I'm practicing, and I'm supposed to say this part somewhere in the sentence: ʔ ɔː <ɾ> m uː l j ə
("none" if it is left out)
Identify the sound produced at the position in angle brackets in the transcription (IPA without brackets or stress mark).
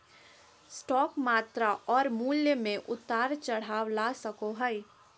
ɾ